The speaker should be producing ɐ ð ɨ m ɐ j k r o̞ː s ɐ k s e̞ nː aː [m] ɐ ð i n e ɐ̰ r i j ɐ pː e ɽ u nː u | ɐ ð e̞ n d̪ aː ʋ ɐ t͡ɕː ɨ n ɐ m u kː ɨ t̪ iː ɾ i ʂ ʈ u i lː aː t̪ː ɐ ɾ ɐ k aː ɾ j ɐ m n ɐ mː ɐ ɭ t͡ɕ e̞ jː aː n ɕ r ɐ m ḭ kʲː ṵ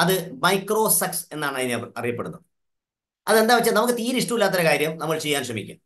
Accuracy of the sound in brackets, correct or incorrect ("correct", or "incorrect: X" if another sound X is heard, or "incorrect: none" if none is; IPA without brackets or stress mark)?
incorrect: ɳ